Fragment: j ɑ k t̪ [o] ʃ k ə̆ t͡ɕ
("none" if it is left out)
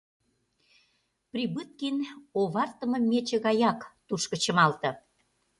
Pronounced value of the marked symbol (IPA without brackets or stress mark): u